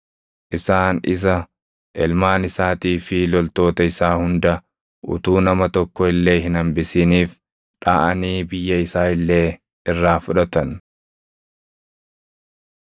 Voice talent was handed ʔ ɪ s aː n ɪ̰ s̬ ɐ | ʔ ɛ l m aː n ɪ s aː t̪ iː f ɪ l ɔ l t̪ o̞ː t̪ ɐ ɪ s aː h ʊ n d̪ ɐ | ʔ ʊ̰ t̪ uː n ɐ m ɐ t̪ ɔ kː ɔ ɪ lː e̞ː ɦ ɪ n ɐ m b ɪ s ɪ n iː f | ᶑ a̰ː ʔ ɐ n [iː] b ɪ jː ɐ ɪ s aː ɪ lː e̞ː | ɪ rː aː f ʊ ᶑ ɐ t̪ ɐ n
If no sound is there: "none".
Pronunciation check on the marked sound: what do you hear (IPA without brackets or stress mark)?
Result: iː